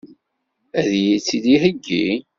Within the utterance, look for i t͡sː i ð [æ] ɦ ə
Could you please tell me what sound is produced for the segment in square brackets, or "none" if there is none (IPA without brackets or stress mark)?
i